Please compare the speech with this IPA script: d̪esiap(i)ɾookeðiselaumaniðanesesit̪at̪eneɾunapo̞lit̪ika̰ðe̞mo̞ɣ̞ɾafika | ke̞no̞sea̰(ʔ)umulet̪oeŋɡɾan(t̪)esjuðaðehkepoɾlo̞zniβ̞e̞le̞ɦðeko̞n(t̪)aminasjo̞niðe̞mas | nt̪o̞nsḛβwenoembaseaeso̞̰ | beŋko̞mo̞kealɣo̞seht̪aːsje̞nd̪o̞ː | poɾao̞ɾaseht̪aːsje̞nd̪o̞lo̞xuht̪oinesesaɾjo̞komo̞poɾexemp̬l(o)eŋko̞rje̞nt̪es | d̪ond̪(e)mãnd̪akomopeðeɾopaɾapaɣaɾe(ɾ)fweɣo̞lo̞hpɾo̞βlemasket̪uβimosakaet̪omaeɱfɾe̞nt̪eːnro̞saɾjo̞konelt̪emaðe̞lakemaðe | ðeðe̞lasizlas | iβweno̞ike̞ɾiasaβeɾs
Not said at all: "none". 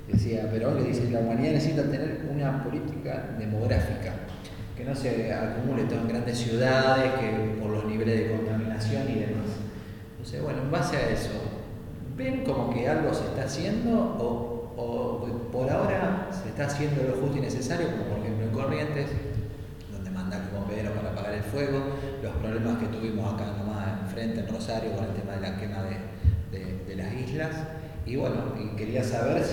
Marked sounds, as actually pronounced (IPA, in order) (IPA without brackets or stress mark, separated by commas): e, k, d̪, t̪, o, e, l